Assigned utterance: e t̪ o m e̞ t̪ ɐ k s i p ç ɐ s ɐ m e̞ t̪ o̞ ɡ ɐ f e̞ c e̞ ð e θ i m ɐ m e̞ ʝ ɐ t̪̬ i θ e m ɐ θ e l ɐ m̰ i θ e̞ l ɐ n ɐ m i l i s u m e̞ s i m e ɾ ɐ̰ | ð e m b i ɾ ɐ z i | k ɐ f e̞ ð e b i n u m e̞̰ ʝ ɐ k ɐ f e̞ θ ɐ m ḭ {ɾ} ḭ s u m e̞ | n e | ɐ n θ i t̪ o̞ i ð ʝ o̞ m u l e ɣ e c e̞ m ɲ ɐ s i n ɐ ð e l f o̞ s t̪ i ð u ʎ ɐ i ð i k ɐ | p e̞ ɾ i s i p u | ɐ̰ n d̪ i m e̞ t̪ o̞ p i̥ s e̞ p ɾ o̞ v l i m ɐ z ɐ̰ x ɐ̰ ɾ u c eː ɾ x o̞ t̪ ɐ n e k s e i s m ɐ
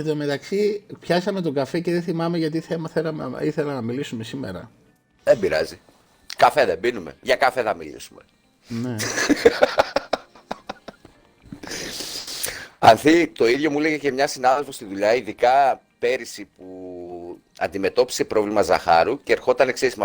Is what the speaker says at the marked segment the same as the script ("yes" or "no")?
no